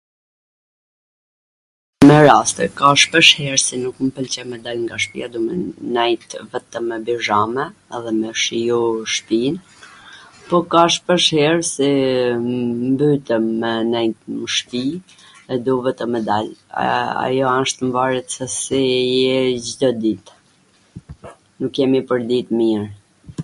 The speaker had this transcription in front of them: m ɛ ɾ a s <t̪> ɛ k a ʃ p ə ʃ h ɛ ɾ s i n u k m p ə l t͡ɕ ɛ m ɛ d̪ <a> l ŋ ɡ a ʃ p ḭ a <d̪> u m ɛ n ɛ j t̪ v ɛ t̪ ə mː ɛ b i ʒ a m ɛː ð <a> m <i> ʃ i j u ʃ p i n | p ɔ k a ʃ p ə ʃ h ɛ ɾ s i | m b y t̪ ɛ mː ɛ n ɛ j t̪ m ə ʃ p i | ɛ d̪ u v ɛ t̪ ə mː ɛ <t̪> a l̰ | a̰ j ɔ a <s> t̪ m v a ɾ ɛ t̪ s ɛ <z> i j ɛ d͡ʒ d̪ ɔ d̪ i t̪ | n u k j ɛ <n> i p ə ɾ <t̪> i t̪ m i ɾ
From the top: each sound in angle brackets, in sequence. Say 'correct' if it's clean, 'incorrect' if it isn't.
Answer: correct, correct, correct, incorrect: ɛ, incorrect: ɛ, incorrect: d̪, incorrect: ʃ, incorrect: s, incorrect: m, incorrect: d̪

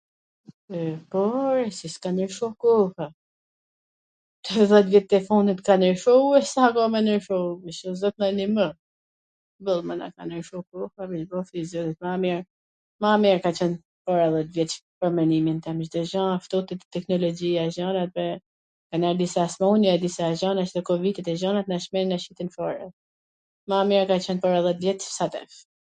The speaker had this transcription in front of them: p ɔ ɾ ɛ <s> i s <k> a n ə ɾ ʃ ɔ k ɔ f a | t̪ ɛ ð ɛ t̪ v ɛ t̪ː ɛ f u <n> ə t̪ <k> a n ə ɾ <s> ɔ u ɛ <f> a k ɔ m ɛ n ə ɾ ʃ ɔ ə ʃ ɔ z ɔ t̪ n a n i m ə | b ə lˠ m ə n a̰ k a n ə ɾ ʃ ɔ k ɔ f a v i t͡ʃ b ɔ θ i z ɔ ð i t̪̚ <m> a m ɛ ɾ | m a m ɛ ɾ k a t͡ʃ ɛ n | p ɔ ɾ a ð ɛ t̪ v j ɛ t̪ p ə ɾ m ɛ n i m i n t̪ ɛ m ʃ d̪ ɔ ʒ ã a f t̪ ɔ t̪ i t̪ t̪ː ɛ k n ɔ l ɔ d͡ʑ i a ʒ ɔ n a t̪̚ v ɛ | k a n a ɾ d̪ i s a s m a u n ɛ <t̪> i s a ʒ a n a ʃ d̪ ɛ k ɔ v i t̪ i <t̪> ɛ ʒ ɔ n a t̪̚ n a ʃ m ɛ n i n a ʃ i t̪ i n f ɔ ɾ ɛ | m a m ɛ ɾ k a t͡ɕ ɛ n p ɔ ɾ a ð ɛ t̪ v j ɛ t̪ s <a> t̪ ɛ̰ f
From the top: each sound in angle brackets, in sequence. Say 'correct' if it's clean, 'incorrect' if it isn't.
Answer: correct, correct, correct, correct, incorrect: ʃ, incorrect: s, correct, incorrect: d̪, correct, correct

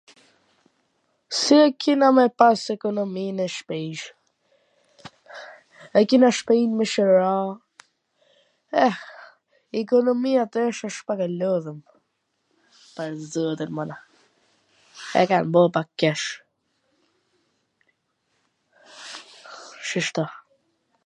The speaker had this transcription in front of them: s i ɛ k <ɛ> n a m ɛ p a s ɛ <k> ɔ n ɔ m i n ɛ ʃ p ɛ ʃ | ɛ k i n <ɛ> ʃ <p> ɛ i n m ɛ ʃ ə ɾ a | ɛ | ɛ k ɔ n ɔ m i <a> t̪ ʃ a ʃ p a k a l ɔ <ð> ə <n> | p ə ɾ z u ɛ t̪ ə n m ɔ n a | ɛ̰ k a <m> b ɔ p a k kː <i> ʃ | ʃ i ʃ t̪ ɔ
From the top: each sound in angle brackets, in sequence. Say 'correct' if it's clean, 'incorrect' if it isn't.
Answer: incorrect: i, correct, incorrect: a, correct, correct, correct, incorrect: m, incorrect: n, incorrect: ɛ

